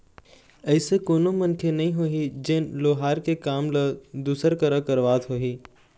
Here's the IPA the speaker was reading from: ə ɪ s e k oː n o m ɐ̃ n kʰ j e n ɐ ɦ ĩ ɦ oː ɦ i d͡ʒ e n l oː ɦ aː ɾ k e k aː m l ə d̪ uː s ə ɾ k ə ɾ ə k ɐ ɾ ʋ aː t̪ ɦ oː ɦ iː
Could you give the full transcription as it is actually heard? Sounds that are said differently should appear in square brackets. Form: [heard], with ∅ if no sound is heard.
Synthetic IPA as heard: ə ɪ s e k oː n o m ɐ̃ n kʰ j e n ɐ ɦ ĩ ɦ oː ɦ i d͡ʒ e n l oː ɦ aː ɾ k e k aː m l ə d̪ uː s ə ɾ k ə ɾ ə k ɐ ɾ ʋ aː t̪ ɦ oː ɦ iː